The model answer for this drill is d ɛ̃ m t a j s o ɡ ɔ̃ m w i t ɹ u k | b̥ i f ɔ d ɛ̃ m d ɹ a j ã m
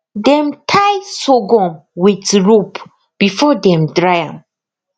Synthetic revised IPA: d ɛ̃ m tʰ a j s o ɡ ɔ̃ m w i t ɹ u p | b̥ i f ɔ d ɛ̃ m d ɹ a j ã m